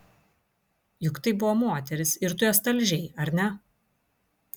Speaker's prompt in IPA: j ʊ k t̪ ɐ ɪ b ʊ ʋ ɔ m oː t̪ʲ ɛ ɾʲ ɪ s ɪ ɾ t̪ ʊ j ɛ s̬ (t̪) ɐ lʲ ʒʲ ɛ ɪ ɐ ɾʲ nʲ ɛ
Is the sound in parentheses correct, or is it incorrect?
correct